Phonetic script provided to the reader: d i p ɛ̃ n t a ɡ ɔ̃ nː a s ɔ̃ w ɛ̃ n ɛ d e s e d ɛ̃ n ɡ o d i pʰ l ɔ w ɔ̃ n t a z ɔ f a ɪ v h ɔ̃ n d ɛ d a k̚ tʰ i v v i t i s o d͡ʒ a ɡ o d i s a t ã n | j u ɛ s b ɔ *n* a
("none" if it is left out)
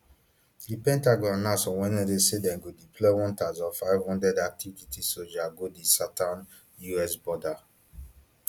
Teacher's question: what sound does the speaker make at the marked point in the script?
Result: d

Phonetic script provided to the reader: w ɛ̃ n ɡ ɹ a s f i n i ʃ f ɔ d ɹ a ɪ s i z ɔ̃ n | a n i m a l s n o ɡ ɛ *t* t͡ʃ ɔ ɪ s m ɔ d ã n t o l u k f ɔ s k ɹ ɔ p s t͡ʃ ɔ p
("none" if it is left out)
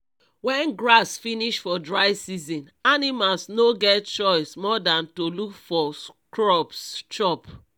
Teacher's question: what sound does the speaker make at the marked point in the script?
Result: t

